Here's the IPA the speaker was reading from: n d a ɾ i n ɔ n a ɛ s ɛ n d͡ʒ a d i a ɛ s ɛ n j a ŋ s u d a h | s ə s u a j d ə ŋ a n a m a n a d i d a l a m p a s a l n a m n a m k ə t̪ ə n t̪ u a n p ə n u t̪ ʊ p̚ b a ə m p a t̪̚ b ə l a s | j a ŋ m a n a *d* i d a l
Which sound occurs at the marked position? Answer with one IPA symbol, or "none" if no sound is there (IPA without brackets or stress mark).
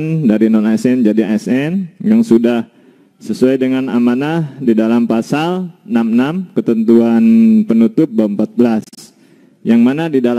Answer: d